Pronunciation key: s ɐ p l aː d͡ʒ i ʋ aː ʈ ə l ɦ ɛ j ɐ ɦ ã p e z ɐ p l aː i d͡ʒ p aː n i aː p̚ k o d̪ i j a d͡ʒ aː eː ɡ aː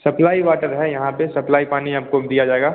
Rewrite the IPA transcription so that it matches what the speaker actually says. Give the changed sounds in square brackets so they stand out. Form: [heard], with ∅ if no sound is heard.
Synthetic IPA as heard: s ɐ p l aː [∅] i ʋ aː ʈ ə [ɾ] ɦ ɛ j ɐ ɦ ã p e [s] ɐ p l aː i [∅] p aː n i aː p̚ k o d̪ i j a d͡ʒ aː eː ɡ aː